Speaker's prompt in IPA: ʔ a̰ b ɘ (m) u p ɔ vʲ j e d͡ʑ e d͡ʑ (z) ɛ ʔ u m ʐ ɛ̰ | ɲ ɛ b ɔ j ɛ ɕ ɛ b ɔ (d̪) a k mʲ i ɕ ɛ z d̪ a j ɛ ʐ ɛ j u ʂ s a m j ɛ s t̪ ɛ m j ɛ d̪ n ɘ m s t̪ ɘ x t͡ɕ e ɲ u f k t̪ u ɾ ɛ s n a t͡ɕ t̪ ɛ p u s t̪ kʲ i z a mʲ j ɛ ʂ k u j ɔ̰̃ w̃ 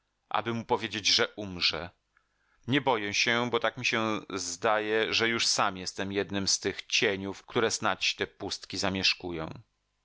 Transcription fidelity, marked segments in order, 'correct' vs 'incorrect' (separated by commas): correct, incorrect, incorrect